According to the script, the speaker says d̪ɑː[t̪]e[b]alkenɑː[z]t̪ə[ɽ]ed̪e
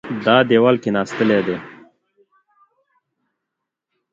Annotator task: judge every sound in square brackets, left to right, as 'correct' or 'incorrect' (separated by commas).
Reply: incorrect, incorrect, incorrect, incorrect